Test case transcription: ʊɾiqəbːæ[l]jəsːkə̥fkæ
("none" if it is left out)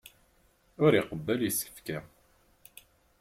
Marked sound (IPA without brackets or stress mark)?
l